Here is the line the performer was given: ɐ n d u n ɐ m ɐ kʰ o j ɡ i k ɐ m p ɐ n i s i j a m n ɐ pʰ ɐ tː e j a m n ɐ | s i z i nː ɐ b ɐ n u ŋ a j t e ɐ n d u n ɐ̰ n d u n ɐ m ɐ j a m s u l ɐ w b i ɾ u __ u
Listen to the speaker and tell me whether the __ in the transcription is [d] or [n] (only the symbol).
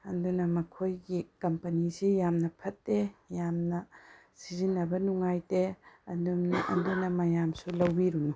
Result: n